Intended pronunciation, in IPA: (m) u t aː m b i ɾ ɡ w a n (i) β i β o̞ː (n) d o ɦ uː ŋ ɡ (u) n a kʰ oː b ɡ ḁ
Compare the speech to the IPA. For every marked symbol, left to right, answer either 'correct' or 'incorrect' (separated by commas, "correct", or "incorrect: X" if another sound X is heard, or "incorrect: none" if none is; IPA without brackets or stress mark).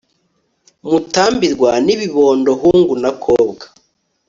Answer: correct, correct, correct, correct